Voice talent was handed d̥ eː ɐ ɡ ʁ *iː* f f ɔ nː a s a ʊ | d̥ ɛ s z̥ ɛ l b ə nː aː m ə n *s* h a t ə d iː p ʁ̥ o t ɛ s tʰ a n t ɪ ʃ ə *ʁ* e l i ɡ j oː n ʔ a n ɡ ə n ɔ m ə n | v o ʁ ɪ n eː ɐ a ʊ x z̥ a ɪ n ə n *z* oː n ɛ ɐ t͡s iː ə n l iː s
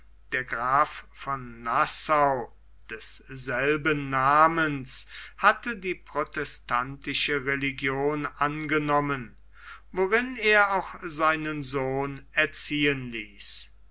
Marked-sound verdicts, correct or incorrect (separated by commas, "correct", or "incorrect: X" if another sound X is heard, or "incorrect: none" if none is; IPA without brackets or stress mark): incorrect: aː, correct, correct, correct